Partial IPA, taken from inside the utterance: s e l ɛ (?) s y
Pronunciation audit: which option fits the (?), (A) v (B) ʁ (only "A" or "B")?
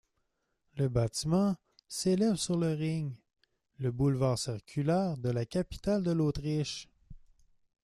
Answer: A